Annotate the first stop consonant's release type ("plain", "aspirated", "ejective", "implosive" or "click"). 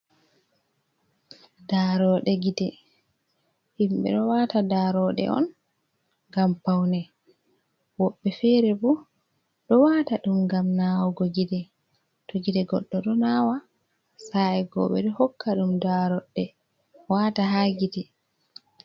plain